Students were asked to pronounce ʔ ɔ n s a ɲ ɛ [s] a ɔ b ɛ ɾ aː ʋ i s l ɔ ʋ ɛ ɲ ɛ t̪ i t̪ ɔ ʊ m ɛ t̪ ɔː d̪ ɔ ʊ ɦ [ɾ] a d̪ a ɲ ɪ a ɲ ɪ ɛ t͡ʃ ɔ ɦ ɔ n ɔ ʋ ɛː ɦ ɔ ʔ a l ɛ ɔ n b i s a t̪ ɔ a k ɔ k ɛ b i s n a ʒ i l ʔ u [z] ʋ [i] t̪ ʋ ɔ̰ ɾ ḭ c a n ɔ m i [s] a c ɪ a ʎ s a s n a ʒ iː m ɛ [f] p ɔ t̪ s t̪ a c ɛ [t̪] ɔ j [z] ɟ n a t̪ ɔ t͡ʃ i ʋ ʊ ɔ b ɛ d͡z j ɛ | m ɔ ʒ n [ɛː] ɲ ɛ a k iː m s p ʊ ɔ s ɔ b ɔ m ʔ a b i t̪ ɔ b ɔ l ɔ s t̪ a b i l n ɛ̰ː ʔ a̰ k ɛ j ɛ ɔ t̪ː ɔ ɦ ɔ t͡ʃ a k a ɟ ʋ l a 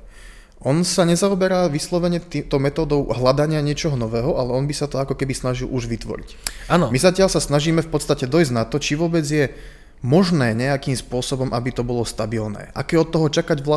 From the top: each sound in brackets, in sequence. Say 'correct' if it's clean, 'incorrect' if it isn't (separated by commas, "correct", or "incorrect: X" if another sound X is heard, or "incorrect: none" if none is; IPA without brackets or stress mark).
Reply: incorrect: z, incorrect: l, incorrect: ʒ, correct, incorrect: z, correct, incorrect: d̪, correct, correct